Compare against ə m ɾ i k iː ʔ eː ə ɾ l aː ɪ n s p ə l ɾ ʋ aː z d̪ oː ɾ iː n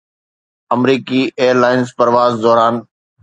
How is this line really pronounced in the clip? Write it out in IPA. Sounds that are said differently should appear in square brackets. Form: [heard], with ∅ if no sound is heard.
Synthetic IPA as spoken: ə m ɾ [iː] k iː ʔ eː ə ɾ l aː ɪ n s p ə [∅] ɾ ʋ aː z d̪ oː ɾ [aː] n